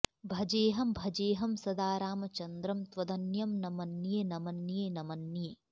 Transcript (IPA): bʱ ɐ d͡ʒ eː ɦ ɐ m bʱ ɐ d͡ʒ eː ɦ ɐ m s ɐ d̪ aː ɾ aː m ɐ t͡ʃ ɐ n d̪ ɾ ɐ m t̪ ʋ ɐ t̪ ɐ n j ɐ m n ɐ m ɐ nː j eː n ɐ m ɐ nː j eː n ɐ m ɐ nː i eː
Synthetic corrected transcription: bʱ ɐ d͡ʒ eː ɦ ɐ m bʱ ɐ d͡ʒ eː ɦ ɐ m s ɐ d̪ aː ɾ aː m ɐ t͡ʃ ɐ n d̪ ɾ ɐ m t̪ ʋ ɐ d̪ ɐ n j ɐ m n ɐ m ɐ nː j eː n ɐ m ɐ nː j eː n ɐ m ɐ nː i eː